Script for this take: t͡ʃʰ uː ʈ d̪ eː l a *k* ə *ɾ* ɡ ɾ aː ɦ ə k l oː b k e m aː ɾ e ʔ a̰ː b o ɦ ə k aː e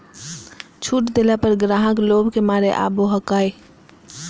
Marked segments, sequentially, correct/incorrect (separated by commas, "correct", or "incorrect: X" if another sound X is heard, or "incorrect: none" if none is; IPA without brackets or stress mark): incorrect: p, correct